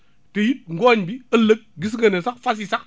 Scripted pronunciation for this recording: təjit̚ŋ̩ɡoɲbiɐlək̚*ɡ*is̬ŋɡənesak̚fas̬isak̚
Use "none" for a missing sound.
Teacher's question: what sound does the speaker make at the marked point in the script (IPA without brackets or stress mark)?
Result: ɡ